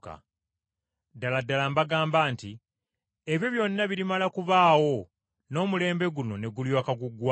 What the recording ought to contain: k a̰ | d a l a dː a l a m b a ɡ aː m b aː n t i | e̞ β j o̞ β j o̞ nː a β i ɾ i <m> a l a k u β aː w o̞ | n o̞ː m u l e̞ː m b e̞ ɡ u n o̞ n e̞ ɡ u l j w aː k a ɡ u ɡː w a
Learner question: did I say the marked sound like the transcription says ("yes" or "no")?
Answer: yes